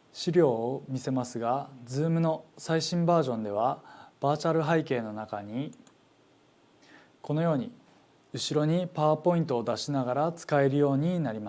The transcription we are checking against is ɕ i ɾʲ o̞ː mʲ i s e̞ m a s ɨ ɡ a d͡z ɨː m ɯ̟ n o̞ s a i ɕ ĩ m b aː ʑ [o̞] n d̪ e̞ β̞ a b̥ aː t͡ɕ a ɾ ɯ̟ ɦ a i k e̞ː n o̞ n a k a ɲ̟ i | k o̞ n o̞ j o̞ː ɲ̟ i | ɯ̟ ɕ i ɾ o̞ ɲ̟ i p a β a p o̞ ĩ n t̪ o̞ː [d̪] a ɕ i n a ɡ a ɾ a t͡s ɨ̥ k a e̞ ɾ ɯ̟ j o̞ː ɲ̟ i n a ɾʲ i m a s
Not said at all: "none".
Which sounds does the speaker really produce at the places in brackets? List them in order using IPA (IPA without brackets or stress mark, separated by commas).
õ̞, d̪